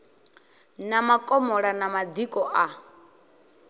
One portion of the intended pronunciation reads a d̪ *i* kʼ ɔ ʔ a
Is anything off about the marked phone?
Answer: no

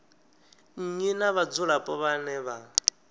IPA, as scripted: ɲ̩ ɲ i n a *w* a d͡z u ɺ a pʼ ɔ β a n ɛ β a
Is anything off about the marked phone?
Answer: yes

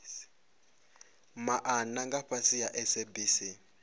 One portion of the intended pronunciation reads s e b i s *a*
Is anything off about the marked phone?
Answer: yes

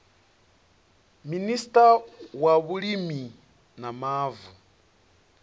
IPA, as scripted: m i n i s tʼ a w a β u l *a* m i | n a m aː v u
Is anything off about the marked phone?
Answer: yes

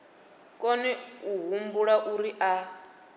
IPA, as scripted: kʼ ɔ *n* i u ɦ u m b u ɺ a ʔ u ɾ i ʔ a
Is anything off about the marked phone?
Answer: no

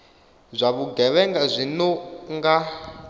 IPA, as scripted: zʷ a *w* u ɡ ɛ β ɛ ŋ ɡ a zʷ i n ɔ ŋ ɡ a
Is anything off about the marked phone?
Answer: yes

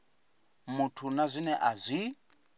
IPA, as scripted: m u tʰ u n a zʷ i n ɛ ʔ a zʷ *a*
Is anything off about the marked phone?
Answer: yes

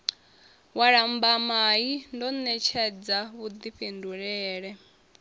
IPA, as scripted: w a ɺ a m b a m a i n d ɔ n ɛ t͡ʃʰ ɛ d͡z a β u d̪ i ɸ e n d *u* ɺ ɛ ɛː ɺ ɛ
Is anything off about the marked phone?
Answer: no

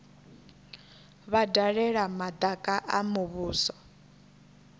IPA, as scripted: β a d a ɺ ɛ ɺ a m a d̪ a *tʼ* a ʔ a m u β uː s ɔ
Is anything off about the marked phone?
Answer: yes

